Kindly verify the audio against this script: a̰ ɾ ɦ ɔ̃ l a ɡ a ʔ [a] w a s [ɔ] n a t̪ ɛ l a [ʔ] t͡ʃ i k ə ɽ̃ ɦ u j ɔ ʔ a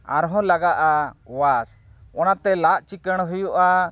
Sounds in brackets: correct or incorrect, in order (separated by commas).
correct, correct, correct